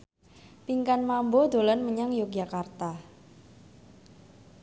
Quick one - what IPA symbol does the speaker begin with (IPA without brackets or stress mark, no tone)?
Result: p